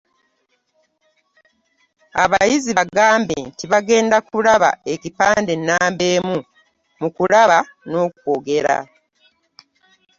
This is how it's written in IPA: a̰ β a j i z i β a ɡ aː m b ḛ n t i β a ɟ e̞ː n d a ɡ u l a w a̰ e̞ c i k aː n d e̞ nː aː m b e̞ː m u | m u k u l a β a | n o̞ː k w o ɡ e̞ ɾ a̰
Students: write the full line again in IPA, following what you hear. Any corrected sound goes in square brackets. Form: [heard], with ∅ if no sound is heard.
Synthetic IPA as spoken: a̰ β a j i z i β a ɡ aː m b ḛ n t i β a [ɡ] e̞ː n d a [k] u l a [β] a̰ e̞ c i [p] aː n d e̞ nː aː m b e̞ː m u | m u k u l a β a | n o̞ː k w o ɡ e̞ ɾ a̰